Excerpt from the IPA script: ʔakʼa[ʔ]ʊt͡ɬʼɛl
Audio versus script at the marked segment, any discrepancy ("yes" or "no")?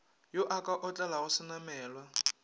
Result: no